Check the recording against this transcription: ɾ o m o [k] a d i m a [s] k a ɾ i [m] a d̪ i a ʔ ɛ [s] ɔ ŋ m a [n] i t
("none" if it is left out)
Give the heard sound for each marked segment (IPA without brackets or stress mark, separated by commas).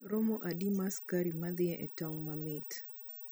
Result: ʔ, s, m, t, m